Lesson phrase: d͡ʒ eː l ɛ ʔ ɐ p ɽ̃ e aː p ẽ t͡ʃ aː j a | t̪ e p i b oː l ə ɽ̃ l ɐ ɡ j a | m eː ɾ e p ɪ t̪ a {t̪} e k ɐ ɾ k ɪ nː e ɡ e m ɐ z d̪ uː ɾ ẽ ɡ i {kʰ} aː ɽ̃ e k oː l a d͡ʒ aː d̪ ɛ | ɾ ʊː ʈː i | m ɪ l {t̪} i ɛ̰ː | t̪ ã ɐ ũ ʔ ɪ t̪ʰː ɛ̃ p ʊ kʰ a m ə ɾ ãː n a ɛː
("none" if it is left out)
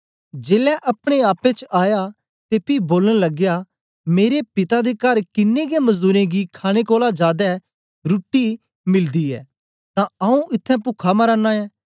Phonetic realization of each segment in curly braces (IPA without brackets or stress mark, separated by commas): d̪, kʰ, d̪